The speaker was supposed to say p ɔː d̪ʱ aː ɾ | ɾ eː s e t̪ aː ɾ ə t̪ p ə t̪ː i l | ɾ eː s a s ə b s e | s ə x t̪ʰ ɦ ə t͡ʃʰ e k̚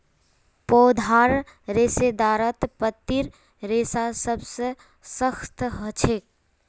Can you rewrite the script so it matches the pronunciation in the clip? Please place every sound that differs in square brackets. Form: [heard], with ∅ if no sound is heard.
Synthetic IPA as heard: p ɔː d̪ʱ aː ɾ | ɾ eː s e [d̪] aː ɾ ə t̪ p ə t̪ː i [ɾ] | ɾ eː s a s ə b s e | s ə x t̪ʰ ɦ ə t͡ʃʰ e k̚